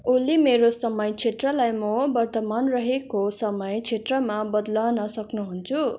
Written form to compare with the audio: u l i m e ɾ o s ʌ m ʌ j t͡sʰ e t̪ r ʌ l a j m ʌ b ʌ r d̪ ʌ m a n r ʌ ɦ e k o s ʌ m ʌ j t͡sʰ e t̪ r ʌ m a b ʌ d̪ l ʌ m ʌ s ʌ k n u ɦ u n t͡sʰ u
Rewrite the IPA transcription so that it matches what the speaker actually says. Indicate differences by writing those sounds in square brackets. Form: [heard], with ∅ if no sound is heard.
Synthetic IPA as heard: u l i m e ɾ o s ʌ m ʌ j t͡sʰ e t̪ r ʌ l a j m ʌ b ʌ r [t̪] ʌ m a n r ʌ ɦ e k o s ʌ m ʌ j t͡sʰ e t̪ r ʌ m a b ʌ d̪ l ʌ [n] ʌ s ʌ k n u ɦ u n t͡sʰ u